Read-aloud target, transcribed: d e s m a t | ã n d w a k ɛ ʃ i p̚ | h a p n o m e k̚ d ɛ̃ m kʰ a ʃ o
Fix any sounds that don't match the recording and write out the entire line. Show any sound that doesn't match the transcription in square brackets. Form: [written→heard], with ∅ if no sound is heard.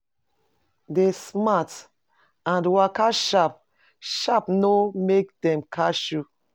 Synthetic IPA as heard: d e s m a t | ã n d w a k [ɛ→a] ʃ [i→a] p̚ | [h→ʃ] a p n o m e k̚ d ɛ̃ m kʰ a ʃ [o→u]